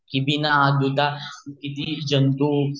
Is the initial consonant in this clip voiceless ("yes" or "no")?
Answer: yes